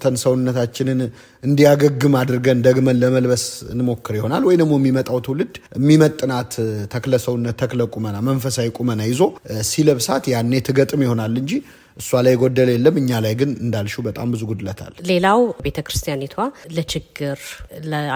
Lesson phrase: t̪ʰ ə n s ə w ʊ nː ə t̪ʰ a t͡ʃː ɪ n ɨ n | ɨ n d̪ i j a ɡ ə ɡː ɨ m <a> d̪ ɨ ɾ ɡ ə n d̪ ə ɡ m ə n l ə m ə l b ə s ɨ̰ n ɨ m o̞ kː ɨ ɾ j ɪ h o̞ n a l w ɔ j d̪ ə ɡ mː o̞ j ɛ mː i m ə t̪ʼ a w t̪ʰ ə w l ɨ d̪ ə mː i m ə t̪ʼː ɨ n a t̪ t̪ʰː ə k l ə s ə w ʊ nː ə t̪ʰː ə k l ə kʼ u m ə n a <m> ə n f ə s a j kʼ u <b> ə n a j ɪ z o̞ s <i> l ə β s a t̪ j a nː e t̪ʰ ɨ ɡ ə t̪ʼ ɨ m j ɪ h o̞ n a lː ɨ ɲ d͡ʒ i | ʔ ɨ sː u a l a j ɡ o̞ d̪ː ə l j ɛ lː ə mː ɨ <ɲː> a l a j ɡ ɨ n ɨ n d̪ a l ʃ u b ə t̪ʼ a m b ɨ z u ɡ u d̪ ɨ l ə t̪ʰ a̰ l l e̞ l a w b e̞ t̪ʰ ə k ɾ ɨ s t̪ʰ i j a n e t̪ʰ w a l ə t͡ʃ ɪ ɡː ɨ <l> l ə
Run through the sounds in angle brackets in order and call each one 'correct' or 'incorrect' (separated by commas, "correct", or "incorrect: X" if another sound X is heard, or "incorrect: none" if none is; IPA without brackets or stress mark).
correct, correct, incorrect: m, correct, correct, incorrect: ɾ